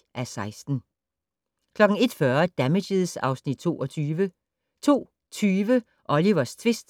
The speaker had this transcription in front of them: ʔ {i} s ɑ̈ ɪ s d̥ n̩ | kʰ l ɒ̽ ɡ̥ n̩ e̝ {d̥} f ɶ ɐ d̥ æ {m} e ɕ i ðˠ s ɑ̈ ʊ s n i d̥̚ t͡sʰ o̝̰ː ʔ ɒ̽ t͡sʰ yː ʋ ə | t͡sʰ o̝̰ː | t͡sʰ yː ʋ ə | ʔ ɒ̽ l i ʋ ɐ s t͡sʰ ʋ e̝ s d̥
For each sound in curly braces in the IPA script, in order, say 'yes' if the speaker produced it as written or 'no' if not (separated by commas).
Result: no, yes, yes